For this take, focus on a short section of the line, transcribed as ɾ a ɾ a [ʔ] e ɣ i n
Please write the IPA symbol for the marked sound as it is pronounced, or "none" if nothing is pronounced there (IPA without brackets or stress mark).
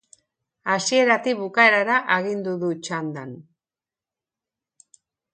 ʔ